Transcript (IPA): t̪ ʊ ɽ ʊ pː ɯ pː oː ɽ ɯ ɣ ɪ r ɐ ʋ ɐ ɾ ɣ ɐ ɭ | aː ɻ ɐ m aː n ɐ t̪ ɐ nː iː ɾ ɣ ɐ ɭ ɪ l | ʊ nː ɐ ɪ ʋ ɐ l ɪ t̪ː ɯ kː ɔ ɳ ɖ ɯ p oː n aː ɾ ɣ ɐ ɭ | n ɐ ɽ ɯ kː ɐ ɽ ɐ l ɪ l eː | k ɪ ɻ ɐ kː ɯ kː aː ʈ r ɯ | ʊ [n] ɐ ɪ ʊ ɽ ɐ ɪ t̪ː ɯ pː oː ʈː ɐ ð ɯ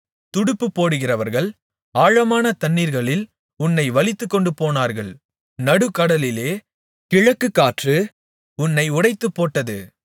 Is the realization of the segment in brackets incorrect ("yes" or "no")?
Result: yes